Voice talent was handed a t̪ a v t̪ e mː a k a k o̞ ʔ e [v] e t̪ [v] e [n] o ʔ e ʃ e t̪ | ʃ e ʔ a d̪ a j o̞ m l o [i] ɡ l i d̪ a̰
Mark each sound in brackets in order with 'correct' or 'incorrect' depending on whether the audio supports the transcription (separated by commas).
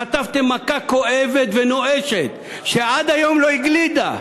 correct, correct, correct, correct